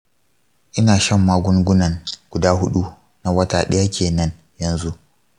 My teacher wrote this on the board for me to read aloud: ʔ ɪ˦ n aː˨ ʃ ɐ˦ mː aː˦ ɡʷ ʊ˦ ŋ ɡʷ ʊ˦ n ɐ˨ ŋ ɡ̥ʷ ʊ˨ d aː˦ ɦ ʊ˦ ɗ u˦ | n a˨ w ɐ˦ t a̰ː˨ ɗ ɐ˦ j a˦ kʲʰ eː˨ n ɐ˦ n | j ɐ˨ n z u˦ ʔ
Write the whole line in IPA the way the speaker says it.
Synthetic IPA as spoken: ʔ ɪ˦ n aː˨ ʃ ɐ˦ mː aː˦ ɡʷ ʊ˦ ŋ ɡʷ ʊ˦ n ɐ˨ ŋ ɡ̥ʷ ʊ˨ d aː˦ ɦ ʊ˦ ɗ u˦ | n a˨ w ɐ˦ t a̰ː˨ ɗ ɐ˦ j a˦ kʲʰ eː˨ n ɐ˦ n | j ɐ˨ n z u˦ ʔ